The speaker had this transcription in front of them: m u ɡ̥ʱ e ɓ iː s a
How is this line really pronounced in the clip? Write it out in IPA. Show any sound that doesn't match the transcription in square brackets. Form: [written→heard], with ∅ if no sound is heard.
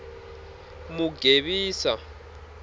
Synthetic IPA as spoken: m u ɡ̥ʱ e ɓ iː s a